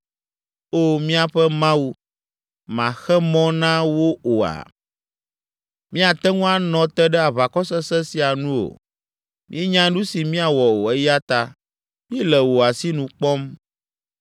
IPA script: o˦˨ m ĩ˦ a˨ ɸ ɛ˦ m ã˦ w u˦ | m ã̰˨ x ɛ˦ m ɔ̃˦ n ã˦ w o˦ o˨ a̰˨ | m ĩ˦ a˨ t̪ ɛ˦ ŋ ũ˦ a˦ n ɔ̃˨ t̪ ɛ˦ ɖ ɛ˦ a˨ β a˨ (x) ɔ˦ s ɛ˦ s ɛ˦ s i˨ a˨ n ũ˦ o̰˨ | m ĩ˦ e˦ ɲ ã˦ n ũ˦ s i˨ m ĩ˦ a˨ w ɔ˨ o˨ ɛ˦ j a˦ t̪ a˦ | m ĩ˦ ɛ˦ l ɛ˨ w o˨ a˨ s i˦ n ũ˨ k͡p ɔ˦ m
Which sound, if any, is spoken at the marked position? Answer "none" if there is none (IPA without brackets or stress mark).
k